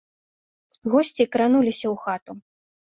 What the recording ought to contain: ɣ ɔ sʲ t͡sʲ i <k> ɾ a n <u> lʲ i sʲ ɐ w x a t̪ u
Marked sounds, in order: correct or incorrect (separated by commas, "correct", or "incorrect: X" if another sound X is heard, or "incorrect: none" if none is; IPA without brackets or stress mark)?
correct, correct